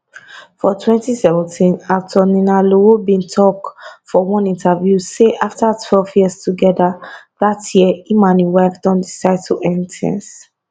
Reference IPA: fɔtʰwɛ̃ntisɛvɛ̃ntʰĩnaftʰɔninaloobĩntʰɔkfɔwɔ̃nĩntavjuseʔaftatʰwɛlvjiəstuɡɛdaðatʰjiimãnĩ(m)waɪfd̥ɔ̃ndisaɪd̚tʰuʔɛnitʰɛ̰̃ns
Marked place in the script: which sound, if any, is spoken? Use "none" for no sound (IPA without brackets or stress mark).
none